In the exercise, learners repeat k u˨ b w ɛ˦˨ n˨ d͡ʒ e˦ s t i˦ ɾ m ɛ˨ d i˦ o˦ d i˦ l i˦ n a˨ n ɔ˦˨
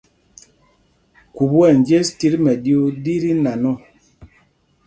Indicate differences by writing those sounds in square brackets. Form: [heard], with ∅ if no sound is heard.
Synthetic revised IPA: k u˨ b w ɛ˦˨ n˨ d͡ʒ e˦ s t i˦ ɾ m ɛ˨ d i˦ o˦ d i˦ [ɾ] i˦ n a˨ n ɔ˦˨